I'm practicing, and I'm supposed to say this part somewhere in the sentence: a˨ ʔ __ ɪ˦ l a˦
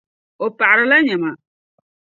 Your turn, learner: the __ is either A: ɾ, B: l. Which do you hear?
A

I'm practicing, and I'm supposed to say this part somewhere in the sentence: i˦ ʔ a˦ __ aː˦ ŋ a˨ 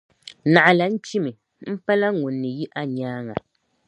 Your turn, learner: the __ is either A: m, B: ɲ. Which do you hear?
B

